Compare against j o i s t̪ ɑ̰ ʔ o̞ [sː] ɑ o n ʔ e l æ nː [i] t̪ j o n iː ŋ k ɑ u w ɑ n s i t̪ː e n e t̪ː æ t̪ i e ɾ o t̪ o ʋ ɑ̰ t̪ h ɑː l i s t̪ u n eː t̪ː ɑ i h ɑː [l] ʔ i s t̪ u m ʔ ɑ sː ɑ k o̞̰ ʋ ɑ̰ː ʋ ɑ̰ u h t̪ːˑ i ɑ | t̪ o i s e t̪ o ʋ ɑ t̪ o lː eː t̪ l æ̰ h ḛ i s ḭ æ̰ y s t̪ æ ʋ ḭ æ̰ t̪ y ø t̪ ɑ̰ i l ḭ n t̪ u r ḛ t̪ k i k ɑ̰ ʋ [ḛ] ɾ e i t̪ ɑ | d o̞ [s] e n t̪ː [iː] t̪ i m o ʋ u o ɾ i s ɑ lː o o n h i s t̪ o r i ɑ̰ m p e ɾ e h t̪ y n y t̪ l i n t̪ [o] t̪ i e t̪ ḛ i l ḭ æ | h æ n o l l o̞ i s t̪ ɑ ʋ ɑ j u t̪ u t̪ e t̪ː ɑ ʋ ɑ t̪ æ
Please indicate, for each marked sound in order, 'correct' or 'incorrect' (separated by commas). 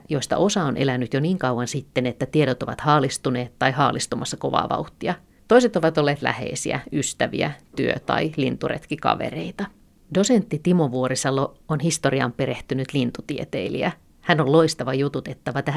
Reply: incorrect, incorrect, correct, correct, correct, incorrect, incorrect